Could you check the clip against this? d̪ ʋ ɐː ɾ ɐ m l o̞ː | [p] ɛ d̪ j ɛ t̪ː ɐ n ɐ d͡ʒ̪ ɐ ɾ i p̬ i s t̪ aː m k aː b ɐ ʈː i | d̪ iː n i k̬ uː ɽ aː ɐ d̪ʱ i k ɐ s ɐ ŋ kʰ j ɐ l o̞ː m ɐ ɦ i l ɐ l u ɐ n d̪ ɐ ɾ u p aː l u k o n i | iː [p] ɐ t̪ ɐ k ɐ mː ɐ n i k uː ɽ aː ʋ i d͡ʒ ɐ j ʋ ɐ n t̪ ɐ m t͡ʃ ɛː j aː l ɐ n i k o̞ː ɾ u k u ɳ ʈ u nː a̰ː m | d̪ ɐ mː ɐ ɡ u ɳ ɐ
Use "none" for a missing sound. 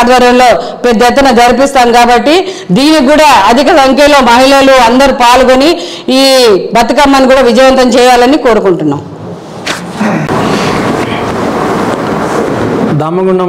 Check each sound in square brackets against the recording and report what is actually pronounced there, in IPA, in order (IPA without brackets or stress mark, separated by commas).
p, b